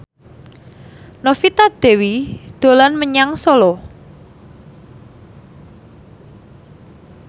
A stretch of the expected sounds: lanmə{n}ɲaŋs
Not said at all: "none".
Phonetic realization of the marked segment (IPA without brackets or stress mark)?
none